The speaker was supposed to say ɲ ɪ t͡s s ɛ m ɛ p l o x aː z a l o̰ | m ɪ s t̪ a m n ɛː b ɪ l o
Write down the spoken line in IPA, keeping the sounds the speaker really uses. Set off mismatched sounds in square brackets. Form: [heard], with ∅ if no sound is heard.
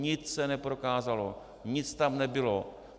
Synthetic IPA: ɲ ɪ t͡s s ɛ [n] ɛ p [ɾ] o [k] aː z a l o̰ | [ɲ] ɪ [t͡s] t̪ a m n [ɛ] b ɪ l o